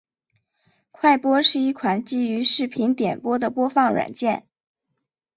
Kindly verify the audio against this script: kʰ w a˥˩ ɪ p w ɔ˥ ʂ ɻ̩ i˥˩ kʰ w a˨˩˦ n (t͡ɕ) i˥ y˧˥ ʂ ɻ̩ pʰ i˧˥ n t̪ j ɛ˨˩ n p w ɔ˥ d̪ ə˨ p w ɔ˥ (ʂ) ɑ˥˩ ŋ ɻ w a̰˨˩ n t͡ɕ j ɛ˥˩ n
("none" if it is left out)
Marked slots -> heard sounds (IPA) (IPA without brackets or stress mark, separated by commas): t͡ɕ, f